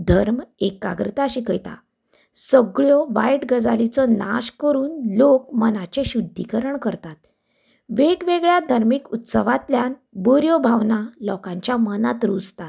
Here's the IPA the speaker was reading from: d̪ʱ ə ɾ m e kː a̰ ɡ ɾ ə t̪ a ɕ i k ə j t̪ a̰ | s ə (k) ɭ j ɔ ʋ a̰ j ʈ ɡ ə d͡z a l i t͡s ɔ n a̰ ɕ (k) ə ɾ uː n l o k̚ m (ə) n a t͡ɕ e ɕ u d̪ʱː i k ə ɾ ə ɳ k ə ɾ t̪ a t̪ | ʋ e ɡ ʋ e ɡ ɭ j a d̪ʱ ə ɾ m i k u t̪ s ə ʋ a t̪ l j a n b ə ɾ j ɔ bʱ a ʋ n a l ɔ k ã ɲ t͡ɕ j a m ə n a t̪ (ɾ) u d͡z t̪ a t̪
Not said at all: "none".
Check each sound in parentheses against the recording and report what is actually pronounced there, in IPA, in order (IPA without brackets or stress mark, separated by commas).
ɡ, k, ə, ɾ